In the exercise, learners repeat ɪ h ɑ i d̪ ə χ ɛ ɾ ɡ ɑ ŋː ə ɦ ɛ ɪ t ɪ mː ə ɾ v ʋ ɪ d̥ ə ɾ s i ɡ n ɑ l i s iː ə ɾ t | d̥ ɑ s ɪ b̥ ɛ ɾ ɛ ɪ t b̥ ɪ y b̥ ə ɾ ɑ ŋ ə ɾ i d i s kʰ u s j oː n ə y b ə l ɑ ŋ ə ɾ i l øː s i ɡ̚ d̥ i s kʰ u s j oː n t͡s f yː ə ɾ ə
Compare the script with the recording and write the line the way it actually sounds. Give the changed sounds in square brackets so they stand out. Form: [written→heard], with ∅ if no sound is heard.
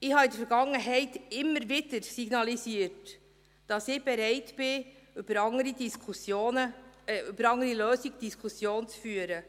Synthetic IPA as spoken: ɪ h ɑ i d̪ ə [χ→f] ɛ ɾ ɡ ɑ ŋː ə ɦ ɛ ɪ t ɪ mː ə ɾ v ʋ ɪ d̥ ə ɾ s i ɡ n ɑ l i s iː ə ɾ t | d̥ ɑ s ɪ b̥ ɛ ɾ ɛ ɪ t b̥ ɪ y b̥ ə ɾ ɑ ŋ ə ɾ i d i s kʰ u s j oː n ə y b ə [l→ɾ] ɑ ŋ ə ɾ i l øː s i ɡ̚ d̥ i s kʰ u s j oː n t͡s f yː ə ɾ ə

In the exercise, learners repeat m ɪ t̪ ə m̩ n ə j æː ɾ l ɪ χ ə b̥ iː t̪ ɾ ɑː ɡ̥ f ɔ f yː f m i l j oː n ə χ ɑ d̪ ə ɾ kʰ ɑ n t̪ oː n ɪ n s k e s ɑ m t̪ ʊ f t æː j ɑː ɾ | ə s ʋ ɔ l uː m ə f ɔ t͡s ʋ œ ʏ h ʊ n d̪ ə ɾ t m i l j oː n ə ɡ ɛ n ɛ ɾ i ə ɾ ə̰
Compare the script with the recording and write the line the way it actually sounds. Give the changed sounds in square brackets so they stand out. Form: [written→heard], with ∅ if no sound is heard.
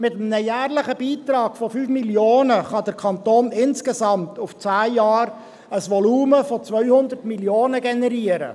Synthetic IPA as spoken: m ɪ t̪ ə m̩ n ə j æː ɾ l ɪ χ ə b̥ iː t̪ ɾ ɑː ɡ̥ f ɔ f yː f m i l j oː n ə χ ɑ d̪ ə ɾ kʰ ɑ n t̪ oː n ɪ n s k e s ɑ m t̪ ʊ f [t→t͡s] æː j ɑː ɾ | ə s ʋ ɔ l uː m ə f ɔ t͡s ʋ œ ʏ h ʊ n d̪ ə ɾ t m i l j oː n ə ɡ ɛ n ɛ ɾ i ə ɾ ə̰

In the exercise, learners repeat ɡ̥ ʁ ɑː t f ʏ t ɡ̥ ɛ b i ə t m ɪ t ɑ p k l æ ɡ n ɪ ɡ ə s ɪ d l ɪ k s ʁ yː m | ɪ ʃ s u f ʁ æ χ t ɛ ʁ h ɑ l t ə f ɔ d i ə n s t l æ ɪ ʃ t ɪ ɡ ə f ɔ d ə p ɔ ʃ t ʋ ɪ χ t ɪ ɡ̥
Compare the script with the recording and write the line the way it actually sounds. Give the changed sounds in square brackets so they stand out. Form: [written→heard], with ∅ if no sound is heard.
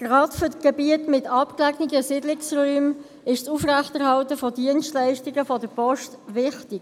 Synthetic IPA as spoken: ɡ̥ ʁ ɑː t f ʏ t ɡ̥ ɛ b i ə t m ɪ t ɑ p k l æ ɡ n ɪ ɡ ə s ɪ d l ɪ k s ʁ yː m | ɪ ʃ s u f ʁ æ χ t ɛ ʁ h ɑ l t ə f ɔ d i ə n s t l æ ɪ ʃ t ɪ ɡ ə f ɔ d ə p ɔ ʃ t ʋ ɪ χ t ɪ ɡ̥

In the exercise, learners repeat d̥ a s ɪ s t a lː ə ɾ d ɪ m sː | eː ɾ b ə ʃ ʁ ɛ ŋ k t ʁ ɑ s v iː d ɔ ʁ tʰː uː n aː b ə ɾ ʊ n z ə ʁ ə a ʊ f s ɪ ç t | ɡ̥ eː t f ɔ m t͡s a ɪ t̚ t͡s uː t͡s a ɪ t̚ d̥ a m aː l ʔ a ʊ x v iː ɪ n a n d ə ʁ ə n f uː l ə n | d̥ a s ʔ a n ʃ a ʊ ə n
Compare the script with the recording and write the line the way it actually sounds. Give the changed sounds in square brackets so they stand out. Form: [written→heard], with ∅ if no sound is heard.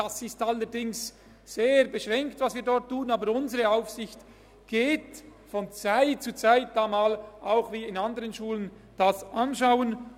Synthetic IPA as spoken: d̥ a s ɪ s t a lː ə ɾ d ɪ [m→ŋ] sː | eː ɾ b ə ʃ ʁ ɛ ŋ k t [ʁ→v] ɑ s v iː d ɔ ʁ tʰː uː n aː b ə ɾ ʊ n z ə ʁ ə a ʊ f s ɪ ç t | ɡ̥ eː t f ɔ [m→n] t͡s a ɪ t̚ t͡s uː t͡s a ɪ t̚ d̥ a m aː l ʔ a ʊ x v iː ɪ n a n d ə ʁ ə n [f→ʃ] uː l ə n | d̥ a s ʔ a n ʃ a ʊ ə n

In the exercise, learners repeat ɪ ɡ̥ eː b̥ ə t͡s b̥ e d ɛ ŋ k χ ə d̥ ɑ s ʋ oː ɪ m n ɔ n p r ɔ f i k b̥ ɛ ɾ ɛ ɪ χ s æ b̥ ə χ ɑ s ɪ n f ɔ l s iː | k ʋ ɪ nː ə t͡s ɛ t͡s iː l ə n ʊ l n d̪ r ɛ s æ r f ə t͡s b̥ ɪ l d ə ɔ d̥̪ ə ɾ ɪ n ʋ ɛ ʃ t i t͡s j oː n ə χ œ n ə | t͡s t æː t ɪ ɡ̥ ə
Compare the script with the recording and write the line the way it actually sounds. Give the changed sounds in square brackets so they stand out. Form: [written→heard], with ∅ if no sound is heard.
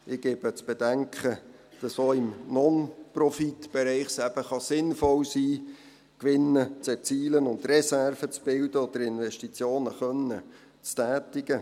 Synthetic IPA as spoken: ɪ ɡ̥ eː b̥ ə t͡s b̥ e d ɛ ŋ k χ ə d̥ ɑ s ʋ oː ɪ m n ɔ n p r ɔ f i [k→t] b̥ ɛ ɾ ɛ ɪ χ s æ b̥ ə χ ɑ s ɪ n f ɔ l s iː | k ʋ ɪ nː ə t͡s ɛ t͡s iː l ə n ʊ [l→∅] n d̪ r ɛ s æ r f ə t͡s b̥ ɪ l d ə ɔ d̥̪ ə ɾ ɪ n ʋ ɛ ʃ t i t͡s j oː n ə χ œ n ə | t͡s t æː t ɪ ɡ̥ ə

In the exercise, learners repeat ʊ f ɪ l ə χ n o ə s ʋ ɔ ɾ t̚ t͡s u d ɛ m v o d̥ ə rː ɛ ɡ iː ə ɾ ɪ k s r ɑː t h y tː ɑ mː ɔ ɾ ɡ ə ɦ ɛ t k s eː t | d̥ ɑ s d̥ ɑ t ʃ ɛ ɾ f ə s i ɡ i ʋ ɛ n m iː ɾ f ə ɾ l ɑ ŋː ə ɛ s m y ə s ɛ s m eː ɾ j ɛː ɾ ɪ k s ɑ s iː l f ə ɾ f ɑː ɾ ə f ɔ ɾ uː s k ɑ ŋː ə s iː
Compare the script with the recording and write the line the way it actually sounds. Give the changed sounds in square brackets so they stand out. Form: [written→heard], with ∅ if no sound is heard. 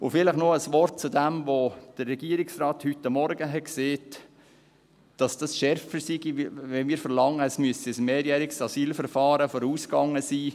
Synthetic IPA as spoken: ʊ f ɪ l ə χ n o ə s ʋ ɔ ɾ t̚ t͡s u d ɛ m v o d̥ ə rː ɛ ɡ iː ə ɾ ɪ k s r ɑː t h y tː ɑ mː ɔ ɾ ɡ ə ɦ ɛ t k s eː t | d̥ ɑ s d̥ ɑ [t→s] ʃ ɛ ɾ f ə s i ɡ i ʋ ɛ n m iː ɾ f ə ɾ l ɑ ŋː ə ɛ s m y ə s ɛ s m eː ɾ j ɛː ɾ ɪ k s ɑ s iː l f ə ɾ f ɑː ɾ ə f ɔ ɾ uː s k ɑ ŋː ə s iː

